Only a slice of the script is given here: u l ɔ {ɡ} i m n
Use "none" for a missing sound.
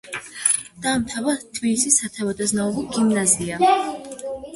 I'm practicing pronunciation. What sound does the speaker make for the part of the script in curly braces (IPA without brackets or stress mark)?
ɡ